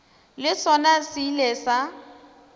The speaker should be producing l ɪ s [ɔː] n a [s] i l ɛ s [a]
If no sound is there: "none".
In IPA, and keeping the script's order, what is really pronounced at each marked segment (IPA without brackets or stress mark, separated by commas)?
ɔ, s, a